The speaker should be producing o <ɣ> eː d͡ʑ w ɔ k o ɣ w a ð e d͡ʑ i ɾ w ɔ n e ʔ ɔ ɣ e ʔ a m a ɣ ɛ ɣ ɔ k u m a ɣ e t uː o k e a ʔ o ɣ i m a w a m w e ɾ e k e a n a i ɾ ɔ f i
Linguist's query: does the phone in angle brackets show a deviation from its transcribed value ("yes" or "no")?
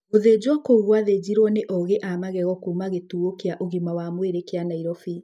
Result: yes